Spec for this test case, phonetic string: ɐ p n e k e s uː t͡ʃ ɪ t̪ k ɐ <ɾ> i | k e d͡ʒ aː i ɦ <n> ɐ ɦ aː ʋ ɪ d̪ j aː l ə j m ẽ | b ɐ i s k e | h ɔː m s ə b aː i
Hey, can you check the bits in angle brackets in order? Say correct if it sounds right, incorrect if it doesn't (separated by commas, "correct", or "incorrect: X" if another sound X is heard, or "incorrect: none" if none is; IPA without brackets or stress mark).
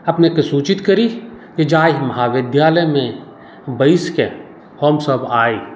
correct, incorrect: m